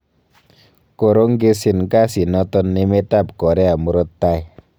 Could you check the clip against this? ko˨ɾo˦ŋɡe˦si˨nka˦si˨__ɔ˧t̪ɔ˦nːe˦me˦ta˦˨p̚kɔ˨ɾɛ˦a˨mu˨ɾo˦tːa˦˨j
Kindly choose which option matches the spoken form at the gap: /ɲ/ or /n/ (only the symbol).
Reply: n